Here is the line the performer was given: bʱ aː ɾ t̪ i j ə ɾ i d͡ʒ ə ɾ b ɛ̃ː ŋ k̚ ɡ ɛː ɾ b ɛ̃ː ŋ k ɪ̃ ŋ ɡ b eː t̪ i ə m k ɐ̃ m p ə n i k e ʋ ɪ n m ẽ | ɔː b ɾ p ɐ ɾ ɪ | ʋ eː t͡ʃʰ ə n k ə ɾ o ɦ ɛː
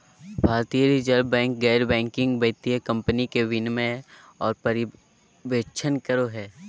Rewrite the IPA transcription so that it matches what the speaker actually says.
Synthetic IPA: bʱ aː ɾ t̪ i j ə ɾ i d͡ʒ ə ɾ b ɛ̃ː ŋ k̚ ɡ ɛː ɾ b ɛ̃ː ŋ k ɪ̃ ŋ ɡ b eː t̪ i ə k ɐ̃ m p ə n i k e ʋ ɪ n m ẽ | ɔː ɾ p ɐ ɾ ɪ | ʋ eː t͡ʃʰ ə n k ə ɾ o ɦ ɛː